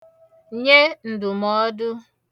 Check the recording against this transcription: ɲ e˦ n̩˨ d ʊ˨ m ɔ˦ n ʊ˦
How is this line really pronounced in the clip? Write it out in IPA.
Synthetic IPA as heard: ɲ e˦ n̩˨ d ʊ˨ m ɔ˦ d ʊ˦